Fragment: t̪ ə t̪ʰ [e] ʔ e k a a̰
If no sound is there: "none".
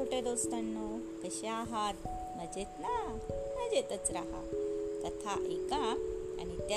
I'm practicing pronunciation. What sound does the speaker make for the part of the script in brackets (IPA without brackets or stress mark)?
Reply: a